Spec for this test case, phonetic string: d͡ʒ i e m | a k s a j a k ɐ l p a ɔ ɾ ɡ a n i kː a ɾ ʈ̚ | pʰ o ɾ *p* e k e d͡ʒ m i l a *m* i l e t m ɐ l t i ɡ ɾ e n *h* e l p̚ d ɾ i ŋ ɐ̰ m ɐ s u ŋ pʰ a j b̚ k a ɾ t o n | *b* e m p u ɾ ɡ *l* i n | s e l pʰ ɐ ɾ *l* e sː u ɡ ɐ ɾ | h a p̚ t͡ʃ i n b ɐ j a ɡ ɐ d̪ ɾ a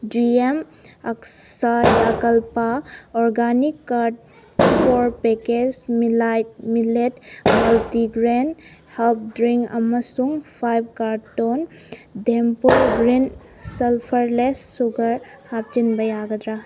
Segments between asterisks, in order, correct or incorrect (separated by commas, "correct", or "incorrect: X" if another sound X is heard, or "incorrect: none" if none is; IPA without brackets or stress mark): correct, correct, correct, incorrect: d, incorrect: ɾ, correct